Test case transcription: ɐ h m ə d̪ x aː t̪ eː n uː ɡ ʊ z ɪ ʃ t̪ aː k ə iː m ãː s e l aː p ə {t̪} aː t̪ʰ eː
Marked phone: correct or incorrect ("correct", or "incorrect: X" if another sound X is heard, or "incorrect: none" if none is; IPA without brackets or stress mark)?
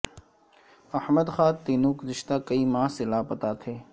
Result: correct